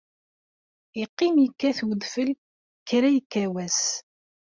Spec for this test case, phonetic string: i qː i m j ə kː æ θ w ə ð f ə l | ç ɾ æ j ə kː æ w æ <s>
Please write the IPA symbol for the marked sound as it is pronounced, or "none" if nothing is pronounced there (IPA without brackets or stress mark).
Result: s